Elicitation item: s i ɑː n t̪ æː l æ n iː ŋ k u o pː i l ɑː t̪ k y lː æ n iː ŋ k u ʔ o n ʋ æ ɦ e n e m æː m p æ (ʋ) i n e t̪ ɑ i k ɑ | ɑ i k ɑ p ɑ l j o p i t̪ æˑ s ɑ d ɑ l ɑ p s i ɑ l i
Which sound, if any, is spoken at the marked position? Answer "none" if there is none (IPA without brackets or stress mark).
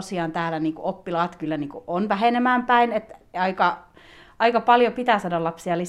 none